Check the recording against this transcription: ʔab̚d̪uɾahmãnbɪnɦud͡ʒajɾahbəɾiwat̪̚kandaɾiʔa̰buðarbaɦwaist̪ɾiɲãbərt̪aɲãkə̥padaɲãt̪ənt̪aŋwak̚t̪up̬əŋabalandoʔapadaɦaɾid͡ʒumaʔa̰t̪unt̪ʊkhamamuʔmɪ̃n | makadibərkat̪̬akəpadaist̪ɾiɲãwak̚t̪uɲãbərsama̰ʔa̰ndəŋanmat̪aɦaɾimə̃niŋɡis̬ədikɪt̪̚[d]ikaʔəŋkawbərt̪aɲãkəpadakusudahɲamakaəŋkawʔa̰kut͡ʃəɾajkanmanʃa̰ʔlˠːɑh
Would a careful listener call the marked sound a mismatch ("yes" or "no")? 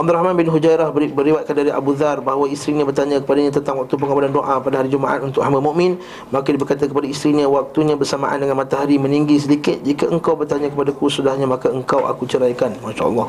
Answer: yes